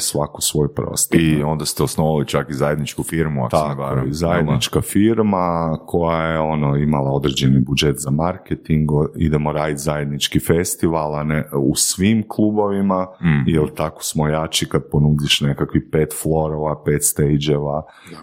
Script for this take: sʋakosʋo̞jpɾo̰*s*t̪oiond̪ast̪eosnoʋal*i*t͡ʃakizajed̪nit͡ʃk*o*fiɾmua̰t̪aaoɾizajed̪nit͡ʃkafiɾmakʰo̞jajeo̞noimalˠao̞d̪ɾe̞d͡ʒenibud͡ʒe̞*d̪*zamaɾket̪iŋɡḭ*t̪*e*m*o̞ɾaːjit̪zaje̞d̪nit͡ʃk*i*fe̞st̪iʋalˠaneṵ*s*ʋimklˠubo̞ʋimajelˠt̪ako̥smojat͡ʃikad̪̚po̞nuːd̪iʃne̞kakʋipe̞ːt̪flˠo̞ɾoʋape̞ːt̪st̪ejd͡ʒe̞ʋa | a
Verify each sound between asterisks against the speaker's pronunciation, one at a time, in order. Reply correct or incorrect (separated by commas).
correct, correct, incorrect, incorrect, incorrect, correct, correct, correct